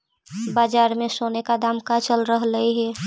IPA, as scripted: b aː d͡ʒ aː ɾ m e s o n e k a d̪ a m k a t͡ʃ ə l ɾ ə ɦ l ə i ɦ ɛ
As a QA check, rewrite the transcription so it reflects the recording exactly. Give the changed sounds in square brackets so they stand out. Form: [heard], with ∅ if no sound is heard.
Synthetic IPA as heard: b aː d͡ʒ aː ɾ m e s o n e k a d̪ a m k a t͡ʃ ə l ɾ ə ɦ l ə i ɦ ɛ